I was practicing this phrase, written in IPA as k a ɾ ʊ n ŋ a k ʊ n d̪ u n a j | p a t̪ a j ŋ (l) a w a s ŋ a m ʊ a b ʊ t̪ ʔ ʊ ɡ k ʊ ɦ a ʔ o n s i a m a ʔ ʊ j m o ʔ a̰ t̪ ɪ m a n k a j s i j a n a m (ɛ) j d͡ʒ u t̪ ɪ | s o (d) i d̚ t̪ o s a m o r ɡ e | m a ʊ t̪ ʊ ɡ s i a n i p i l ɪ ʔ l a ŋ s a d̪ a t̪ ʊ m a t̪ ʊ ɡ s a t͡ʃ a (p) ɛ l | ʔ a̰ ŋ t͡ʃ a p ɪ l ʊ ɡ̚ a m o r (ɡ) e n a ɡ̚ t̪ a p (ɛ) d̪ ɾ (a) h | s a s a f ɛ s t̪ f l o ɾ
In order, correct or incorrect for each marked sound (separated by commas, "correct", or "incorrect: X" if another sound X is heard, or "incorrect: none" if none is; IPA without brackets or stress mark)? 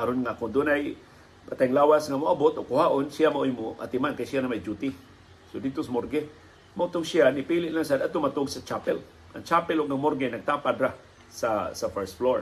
correct, incorrect: a, correct, correct, correct, incorrect: a, correct